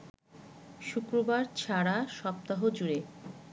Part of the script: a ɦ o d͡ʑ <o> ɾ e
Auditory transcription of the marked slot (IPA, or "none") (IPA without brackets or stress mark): u